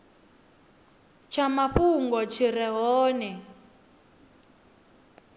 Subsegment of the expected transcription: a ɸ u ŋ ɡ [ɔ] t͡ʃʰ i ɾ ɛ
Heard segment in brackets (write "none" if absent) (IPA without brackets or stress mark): ɔ